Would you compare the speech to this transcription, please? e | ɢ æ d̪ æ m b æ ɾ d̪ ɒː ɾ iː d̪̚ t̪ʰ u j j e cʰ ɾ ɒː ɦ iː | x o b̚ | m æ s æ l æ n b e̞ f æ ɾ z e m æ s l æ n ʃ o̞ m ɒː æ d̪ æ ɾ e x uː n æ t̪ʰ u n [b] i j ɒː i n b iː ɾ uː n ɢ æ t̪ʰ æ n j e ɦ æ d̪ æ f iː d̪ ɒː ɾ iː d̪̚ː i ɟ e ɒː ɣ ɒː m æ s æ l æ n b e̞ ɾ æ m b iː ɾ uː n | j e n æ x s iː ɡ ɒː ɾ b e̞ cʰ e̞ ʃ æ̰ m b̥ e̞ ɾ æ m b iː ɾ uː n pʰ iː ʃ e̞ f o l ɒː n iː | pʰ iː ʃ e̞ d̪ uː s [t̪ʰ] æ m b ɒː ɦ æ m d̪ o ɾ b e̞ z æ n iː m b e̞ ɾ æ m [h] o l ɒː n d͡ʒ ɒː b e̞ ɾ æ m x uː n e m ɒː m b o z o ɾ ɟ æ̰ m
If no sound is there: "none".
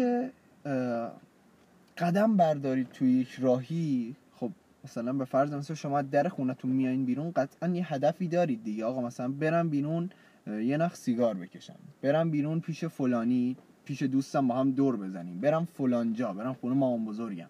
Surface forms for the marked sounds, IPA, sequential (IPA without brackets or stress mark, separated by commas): m, t̪, f